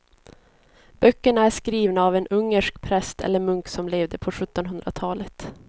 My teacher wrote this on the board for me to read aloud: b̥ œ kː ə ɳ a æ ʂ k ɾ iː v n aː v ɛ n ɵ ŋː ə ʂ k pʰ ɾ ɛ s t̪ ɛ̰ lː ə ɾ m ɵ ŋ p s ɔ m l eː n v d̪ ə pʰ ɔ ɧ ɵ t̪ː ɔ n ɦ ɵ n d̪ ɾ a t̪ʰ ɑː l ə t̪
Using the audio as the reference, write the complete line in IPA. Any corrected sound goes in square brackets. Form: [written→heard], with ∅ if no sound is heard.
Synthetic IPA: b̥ œ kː ə ɳ a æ ʂ k ɾ iː v n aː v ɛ n ɵ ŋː ə ʂ k pʰ ɾ ɛ s t̪ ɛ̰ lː ə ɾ m ɵ ŋ [p→k] s ɔ m l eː [n→∅] v d̪ ə pʰ ɔ ɧ ɵ t̪ː ɔ n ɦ ɵ n d̪ ɾ a t̪ʰ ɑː l ə t̪